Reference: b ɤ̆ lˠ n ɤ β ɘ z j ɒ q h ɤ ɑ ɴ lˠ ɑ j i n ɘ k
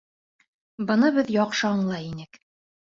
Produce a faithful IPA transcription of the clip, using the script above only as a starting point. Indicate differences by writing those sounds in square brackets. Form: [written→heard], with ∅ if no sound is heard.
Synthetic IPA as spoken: b ɤ̆ [lˠ→∅] n ɤ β ɘ [z→ð] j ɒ q [h→ʃ] ɤ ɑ ɴ lˠ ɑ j i n ɘ k